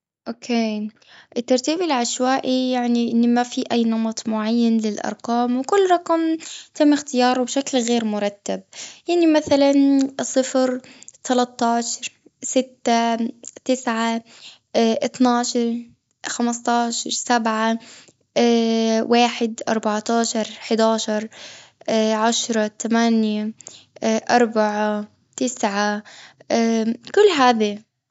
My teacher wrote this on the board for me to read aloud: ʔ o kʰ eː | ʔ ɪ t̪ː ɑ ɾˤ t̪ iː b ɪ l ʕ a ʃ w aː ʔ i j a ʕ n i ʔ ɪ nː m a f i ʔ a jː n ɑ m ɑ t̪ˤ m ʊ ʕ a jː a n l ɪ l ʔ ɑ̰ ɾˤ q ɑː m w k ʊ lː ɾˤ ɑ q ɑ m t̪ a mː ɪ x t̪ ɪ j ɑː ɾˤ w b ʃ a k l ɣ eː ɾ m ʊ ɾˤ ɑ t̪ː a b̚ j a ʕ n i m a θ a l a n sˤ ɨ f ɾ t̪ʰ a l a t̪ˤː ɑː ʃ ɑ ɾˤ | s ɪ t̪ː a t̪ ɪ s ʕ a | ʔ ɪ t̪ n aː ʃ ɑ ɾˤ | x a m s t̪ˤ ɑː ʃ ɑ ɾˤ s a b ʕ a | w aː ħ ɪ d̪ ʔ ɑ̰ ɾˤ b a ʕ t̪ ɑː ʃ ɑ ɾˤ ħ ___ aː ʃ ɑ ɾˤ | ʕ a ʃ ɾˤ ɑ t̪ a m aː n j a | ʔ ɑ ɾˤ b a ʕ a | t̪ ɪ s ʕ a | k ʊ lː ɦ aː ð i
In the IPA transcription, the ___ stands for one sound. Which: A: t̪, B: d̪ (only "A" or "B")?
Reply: B